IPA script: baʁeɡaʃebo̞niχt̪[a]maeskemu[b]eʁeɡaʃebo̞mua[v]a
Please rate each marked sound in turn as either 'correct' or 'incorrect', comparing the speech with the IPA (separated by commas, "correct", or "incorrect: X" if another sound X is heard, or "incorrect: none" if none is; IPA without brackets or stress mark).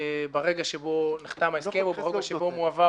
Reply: correct, correct, correct